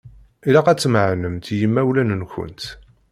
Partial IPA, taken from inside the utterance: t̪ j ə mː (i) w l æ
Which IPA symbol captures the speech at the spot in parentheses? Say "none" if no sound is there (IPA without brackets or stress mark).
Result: æ